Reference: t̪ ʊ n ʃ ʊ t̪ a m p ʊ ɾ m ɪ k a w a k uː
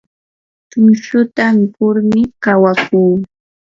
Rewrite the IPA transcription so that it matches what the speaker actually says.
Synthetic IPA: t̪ ʊ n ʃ ʊ t̪ a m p ʊ ɾ m ɪ k a w a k uː